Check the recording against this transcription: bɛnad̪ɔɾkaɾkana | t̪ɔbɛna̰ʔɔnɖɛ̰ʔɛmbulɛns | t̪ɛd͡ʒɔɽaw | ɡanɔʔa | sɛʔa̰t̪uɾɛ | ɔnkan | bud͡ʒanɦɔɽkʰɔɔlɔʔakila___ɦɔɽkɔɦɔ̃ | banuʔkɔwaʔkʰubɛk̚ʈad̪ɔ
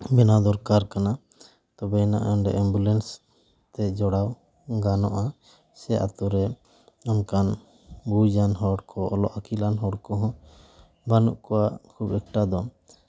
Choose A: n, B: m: A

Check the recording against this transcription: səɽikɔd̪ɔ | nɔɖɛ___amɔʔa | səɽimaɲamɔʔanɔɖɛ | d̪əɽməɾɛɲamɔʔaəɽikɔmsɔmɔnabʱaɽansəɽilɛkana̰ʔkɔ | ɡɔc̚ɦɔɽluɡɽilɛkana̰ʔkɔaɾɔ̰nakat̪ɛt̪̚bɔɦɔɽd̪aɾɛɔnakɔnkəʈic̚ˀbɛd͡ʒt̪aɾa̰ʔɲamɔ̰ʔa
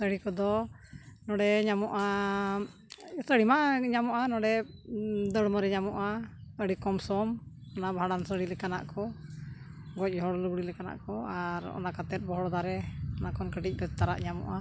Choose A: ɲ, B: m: A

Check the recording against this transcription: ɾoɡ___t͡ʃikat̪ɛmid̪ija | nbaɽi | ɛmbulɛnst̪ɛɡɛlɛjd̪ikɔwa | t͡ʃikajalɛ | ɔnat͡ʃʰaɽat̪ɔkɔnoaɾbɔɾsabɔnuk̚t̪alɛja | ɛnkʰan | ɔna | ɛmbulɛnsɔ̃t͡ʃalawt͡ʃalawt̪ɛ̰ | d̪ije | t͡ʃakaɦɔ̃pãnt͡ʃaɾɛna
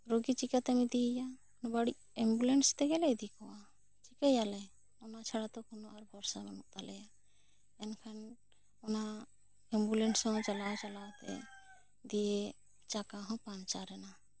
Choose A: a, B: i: B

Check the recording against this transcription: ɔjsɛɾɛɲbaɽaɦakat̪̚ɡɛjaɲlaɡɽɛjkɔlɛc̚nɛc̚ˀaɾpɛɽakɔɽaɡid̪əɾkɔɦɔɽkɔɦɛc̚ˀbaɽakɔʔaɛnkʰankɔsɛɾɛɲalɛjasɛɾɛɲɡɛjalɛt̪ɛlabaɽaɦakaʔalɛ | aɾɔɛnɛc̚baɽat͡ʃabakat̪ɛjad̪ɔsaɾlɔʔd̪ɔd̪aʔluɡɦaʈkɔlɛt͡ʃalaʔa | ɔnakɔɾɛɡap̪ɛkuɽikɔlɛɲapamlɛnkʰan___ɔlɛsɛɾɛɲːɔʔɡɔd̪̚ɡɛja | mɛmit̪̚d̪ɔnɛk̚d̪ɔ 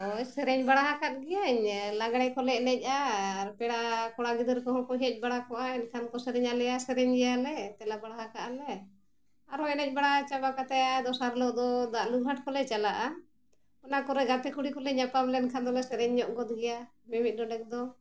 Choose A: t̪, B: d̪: B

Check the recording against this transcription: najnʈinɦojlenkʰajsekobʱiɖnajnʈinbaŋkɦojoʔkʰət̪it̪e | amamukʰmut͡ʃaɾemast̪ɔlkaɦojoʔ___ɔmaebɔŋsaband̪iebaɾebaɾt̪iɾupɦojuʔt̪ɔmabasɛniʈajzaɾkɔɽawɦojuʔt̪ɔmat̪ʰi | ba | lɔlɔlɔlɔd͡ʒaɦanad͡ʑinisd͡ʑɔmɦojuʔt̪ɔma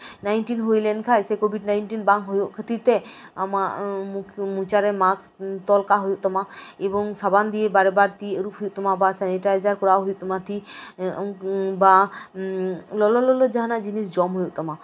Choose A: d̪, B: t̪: B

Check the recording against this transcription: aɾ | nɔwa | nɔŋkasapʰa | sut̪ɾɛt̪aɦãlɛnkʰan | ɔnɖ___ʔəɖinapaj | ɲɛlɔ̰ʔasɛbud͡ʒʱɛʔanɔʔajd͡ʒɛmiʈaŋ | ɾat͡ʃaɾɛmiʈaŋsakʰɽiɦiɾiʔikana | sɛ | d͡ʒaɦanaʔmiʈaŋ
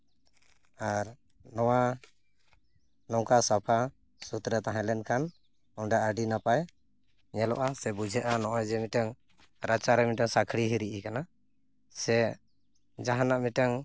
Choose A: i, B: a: B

